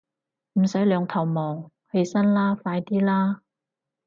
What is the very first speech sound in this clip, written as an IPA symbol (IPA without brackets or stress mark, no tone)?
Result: m̩